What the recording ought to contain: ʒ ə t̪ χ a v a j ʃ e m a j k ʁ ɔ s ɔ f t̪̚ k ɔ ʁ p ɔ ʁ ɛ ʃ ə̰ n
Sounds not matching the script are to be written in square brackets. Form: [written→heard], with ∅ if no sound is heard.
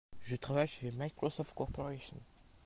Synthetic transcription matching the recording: ʒ ə t̪ χ a v a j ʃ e m a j k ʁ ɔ s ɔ f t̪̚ k ɔ ʁ p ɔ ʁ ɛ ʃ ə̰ n